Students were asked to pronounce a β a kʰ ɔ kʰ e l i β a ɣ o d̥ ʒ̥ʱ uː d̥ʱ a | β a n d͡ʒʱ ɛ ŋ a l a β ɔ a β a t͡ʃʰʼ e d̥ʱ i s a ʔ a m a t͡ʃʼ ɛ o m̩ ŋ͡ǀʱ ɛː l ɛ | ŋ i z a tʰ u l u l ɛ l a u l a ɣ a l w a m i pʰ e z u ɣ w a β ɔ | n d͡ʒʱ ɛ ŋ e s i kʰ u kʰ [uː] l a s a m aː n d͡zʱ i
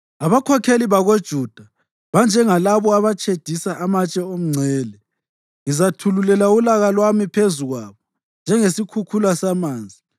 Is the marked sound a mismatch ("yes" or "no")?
yes